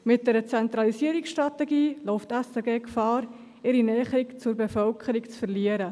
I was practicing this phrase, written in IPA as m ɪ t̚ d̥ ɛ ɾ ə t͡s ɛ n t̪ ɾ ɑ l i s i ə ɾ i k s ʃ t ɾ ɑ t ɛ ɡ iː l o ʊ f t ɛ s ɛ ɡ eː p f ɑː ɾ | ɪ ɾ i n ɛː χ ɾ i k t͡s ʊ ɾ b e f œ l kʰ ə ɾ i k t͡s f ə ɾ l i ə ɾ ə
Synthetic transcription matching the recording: m ɪ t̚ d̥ ɛ ɾ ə t͡s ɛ n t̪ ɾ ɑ l i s i ə ɾ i k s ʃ t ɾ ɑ t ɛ ɡ iː l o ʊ f t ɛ s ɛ ɡ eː k f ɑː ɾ | ɪ ɾ i n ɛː χ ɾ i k t͡s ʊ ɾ b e f œ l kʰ ə ɾ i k t͡s f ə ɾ l i ə ɾ ə